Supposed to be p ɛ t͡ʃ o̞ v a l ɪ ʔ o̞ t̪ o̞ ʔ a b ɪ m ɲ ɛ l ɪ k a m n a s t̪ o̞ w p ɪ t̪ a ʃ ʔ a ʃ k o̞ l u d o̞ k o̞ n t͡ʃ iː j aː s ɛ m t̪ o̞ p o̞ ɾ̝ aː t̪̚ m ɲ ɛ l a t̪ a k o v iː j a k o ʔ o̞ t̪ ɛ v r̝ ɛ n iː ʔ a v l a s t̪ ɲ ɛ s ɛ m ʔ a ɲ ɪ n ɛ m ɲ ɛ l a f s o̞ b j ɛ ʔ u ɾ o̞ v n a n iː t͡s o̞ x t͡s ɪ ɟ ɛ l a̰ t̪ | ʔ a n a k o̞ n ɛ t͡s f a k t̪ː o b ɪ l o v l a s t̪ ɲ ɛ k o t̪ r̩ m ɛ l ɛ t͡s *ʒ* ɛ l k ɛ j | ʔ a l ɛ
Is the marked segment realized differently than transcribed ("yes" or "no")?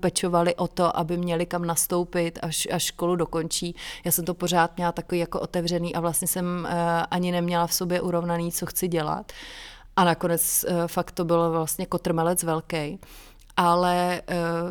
yes